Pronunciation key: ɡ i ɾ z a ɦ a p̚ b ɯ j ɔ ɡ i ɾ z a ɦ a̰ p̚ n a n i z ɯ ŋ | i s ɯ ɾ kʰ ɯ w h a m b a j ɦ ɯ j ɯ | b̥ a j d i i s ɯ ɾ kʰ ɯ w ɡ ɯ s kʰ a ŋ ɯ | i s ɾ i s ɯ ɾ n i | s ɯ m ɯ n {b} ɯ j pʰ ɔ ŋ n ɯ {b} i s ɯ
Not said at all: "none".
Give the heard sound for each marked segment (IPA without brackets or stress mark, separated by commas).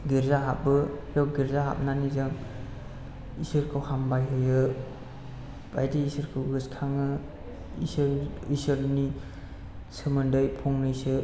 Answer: d, none